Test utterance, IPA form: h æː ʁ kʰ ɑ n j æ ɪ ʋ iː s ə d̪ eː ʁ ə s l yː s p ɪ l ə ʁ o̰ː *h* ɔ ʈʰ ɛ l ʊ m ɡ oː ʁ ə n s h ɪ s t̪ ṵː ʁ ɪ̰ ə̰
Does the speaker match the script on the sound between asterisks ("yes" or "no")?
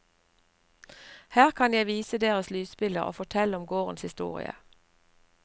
no